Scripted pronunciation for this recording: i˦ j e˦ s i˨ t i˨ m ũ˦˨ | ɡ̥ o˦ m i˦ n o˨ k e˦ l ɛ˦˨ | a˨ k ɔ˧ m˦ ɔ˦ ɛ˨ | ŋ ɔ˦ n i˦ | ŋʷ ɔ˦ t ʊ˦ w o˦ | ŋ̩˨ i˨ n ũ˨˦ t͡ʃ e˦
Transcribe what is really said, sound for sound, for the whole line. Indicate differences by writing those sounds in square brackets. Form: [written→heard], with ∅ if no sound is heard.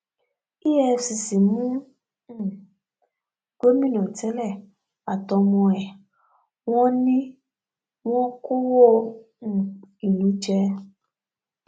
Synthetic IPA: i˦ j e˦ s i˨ [t→s] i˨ m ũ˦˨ | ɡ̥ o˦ m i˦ n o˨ [k→t] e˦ l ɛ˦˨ | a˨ [k→t] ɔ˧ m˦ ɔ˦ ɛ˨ | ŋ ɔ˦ n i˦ | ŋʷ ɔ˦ [t→k] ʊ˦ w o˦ | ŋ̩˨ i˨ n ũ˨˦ t͡ʃ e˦